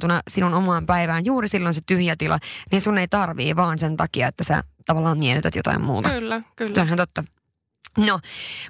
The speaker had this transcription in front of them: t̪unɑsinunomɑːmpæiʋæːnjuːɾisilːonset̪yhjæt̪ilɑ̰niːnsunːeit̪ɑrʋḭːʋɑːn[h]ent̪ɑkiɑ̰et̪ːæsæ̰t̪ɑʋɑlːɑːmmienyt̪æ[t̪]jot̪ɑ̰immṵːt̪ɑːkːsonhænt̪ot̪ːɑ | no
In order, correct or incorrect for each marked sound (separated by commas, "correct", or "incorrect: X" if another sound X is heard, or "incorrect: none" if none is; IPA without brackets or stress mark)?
incorrect: s, correct